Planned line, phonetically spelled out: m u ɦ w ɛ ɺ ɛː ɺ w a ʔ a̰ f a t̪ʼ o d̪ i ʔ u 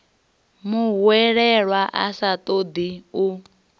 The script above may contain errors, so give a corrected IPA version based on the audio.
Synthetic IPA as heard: m u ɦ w ɛ ɺ ɛ ɺ w a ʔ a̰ s a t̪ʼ o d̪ i u